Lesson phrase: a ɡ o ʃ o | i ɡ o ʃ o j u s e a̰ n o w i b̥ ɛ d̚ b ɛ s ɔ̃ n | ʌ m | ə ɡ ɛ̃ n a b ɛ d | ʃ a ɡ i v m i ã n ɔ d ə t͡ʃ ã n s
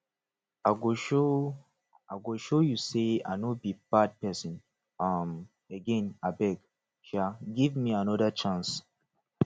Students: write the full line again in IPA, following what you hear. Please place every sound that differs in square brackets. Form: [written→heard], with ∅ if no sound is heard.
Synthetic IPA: a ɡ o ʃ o | [i→a] ɡ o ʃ o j u s e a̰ n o [w→b] i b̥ [ɛ→a] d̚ [b→p] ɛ s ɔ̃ n | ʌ m | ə ɡ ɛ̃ n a b ɛ [d→ɡ] | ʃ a ɡ i v m i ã n ɔ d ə t͡ʃ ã n s